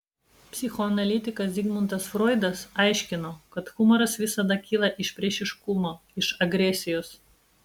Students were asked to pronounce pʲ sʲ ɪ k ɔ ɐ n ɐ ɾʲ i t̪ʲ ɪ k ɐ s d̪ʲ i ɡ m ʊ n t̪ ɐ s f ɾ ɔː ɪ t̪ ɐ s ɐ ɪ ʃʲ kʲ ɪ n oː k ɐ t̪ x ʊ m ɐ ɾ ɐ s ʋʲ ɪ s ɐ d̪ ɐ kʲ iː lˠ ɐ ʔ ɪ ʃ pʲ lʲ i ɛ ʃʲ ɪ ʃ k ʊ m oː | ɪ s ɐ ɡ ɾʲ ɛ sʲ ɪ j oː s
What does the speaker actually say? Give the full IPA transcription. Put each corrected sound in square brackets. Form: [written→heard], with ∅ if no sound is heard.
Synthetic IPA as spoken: pʲ sʲ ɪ [k→x] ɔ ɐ n ɐ [ɾʲ→lʲ] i t̪ʲ ɪ k ɐ s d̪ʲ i ɡ m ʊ n t̪ ɐ s f ɾ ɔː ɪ [t̪→d̪] ɐ s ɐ ɪ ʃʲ kʲ ɪ n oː k ɐ t̪ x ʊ m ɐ ɾ ɐ s ʋʲ ɪ s ɐ d̪ ɐ kʲ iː lˠ ɐ ʔ ɪ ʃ pʲ [lʲ→ɾʲ] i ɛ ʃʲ ɪ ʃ k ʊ m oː | ɪ [s→ʃ] ɐ ɡ ɾʲ ɛ sʲ ɪ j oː s